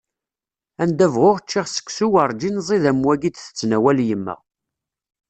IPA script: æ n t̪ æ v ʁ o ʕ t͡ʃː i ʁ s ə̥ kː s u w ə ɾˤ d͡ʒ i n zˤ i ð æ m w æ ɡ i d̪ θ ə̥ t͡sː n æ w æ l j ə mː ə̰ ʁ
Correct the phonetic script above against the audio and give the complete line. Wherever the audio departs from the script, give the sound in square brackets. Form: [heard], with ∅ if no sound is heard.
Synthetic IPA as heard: æ n [d̪] æ v ʁ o [ʁ] t͡ʃː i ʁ s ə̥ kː s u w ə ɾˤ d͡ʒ i n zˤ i ð æ m w æ ɡ i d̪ θ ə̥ t͡sː n æ w æ l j ə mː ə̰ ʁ